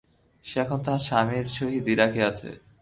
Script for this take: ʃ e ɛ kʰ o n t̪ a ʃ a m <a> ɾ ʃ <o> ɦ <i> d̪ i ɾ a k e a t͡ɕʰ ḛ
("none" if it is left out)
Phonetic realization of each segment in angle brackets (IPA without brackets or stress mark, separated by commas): i, o, i